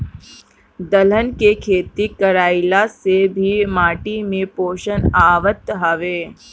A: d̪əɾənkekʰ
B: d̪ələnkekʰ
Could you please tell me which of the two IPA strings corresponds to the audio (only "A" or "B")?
B